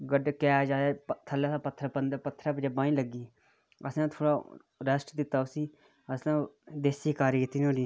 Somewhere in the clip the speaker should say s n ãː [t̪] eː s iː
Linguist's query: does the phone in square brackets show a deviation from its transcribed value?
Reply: yes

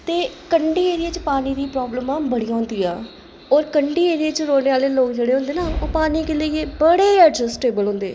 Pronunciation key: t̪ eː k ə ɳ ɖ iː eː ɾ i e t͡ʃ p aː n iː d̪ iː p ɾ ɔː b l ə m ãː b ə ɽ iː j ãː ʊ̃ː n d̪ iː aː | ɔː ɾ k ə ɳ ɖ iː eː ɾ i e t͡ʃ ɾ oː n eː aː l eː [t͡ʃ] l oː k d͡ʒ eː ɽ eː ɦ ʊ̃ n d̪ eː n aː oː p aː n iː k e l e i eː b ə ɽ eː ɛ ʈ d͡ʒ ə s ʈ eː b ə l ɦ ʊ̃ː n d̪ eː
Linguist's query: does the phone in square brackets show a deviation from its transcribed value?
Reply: yes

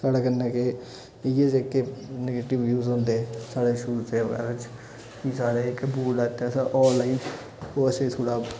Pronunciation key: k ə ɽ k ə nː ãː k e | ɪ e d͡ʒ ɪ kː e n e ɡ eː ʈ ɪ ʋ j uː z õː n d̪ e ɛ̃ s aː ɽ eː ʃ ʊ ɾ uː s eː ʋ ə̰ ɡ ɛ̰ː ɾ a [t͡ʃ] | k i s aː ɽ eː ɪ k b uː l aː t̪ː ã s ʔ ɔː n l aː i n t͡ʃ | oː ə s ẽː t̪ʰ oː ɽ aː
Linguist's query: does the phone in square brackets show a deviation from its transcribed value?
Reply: no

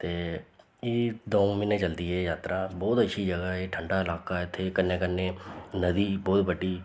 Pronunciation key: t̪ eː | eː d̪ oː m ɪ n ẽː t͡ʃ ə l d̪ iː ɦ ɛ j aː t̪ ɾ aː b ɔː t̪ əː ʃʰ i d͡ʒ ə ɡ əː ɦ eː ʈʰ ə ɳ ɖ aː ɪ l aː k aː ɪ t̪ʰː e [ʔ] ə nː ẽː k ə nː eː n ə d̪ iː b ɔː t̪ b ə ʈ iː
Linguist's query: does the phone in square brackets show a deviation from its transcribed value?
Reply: yes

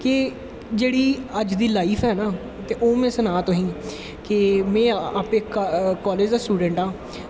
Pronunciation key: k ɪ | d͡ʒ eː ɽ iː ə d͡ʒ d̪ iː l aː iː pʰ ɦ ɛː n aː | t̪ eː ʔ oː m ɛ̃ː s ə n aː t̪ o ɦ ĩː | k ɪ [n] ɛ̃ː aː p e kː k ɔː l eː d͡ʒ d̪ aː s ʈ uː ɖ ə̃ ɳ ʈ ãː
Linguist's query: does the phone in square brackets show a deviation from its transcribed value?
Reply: yes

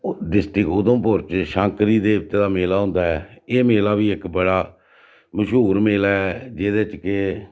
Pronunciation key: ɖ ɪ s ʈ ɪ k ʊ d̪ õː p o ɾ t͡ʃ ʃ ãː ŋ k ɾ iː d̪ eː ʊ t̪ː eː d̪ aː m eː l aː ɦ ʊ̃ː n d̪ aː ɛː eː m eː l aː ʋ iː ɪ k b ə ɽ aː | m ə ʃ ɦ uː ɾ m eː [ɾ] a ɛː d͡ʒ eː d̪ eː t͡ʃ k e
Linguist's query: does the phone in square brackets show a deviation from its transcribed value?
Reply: yes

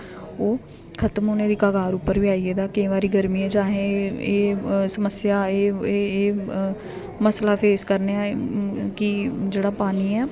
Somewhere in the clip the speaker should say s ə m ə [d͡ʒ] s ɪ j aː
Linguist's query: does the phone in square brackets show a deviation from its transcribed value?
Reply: yes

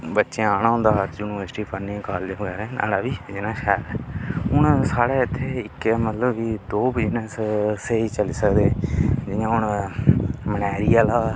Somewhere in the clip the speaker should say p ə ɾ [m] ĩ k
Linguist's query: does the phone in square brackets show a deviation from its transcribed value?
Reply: yes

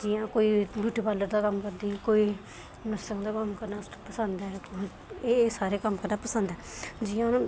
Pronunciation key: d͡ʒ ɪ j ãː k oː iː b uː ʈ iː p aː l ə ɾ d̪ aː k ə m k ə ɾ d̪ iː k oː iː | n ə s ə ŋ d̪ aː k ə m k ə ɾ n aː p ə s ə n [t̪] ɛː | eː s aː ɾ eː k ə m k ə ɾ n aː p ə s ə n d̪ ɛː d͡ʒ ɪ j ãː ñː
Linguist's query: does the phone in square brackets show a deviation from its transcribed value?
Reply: yes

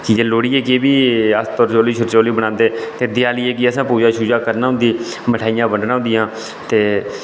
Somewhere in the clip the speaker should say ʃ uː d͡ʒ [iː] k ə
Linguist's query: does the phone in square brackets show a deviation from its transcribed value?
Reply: yes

